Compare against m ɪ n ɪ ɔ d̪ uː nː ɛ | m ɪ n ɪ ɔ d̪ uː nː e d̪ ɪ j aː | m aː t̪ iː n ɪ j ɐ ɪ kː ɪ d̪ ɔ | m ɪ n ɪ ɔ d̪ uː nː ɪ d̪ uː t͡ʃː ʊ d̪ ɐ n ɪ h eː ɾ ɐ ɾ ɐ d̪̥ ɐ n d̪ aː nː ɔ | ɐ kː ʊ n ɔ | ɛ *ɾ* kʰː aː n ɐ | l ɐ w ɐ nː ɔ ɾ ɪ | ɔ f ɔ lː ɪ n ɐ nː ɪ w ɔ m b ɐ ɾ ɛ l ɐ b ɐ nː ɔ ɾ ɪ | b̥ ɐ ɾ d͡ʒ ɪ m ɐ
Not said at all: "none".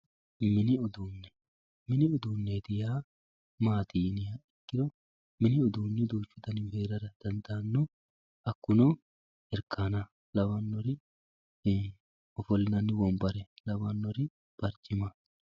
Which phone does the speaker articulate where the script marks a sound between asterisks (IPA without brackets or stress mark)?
ɾ